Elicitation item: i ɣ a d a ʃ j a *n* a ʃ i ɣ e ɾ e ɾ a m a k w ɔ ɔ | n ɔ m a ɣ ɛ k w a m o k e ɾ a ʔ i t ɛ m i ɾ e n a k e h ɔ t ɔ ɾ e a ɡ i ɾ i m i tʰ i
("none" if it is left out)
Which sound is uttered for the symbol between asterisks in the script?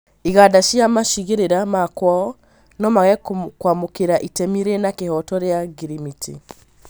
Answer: m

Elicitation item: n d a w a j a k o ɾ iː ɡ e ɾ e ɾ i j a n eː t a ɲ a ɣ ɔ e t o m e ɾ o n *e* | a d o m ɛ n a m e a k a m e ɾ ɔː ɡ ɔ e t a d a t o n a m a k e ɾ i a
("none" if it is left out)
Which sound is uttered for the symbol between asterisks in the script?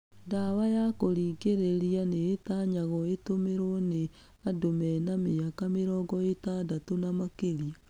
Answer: e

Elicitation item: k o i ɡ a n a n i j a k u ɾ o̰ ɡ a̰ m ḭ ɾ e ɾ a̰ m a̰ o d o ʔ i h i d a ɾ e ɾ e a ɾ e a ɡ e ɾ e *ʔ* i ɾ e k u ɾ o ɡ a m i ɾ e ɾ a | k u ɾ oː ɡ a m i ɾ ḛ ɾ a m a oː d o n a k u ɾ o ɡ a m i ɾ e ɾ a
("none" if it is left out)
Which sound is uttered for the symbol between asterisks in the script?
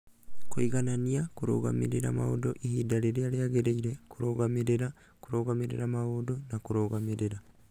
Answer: none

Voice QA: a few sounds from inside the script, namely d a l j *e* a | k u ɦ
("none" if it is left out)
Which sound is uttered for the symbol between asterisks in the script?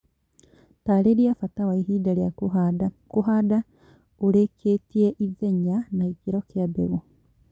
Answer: a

